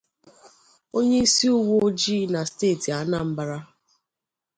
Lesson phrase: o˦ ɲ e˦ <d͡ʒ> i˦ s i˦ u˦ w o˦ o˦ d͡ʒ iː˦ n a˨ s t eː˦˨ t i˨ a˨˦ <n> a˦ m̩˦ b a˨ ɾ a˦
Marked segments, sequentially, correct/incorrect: incorrect, correct

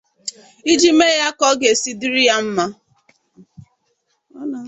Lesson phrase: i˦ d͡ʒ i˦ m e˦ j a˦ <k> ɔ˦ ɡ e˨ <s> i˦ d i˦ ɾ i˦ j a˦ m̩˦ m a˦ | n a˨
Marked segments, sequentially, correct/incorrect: correct, correct

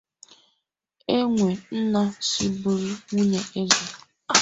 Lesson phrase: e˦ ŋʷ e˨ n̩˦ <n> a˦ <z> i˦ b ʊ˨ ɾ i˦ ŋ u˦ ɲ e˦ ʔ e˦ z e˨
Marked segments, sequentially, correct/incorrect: correct, incorrect

